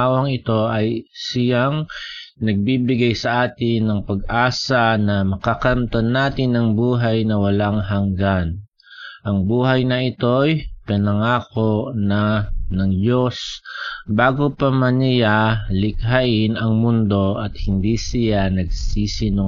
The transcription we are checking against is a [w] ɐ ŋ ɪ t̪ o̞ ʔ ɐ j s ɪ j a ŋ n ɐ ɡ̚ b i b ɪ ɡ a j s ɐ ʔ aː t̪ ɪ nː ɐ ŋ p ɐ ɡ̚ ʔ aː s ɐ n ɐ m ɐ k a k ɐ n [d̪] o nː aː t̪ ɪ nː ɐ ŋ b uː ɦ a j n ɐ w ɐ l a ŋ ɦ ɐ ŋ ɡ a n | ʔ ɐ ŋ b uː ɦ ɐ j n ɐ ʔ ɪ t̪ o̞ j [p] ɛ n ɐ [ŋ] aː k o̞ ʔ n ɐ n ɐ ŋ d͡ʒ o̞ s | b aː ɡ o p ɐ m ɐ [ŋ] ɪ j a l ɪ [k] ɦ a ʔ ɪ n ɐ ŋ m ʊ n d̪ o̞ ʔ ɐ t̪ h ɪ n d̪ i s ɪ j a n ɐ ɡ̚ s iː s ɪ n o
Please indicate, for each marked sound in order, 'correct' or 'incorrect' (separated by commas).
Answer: correct, incorrect, correct, correct, incorrect, correct